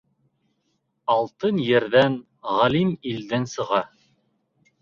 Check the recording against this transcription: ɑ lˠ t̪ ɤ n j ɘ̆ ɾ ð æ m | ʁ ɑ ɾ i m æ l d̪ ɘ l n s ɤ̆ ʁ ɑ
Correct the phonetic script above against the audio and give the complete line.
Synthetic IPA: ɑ lˠ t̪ ɤ n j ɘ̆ ɾ ð æ n | ʁ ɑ l i m i l d̪ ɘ n s ɤ̆ ʁ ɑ